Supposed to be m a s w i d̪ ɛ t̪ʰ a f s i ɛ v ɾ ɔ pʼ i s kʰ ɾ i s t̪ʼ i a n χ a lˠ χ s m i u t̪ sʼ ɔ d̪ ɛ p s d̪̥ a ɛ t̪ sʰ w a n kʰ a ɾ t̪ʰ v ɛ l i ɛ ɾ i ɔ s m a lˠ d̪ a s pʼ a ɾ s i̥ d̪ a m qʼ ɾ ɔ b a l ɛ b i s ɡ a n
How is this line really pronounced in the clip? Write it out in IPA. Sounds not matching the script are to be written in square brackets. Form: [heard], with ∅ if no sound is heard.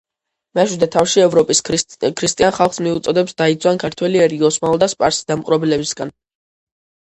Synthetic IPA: m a [ʃ] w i d̪ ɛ t̪ʰ a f [ʃ] i ɛ v ɾ ɔ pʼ i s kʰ ɾ i s t̪ʼ i a n χ a lˠ χ s m i u t̪ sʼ ɔ d̪ ɛ p s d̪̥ a [i] t̪ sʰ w a n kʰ a ɾ t̪ʰ [w] ɛ l i ɛ ɾ i ɔ s m a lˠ d̪ a s pʼ a ɾ s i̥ d̪ a m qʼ ɾ ɔ b [i] l ɛ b i s ɡ a n